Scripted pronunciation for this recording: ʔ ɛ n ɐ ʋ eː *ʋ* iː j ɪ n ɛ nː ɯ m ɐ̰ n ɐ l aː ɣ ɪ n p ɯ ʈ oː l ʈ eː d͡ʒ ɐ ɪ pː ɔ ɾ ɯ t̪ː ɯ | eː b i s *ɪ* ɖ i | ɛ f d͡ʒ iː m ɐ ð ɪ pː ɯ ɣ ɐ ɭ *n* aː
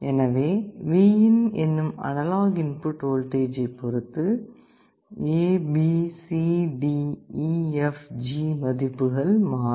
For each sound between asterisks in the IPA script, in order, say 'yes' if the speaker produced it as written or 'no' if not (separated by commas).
yes, no, no